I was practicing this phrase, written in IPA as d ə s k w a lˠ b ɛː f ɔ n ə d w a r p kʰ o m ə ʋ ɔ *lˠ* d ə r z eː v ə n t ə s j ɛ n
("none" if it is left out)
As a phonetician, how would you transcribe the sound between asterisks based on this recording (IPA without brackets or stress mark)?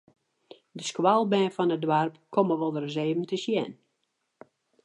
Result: lˠ